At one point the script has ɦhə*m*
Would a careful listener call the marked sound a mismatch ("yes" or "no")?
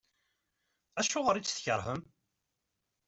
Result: no